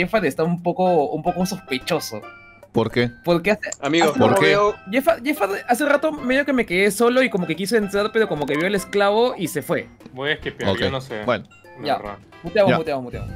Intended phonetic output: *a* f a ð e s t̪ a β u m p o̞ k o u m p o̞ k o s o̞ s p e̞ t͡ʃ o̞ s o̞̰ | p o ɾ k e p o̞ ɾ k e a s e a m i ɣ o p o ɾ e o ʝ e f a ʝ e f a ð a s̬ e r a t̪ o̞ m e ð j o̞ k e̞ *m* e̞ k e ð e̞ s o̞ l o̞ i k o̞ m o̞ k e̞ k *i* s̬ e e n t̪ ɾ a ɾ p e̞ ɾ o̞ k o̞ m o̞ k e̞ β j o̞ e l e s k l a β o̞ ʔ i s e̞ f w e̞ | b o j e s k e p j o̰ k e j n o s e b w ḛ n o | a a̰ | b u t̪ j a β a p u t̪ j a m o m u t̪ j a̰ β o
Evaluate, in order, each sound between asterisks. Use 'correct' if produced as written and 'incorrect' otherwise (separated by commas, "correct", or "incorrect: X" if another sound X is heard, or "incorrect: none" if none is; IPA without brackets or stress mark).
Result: incorrect: e, correct, correct